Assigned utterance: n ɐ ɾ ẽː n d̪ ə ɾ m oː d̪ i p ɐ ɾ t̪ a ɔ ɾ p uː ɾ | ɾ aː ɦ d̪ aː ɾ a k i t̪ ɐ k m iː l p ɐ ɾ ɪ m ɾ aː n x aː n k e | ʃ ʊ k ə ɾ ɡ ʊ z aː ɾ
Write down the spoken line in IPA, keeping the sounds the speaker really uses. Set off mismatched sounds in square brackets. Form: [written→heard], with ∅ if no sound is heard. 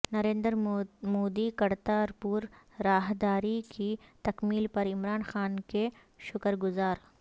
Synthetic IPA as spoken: n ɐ ɾ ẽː n d̪ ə ɾ m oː d̪ i [p→k] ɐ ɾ t̪ a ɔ ɾ p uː ɾ | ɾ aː ɦ d̪ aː ɾ [a→i] k i t̪ ɐ k m iː l p ɐ ɾ ɪ m ɾ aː n x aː n k e | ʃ ʊ k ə ɾ ɡ ʊ z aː ɾ